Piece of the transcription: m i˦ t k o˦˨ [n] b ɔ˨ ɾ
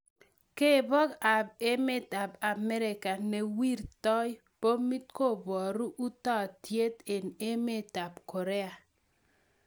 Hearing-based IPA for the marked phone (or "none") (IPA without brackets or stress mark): none